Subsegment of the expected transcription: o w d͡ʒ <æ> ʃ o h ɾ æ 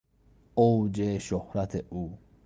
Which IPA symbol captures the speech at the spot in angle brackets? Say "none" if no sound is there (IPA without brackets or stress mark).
e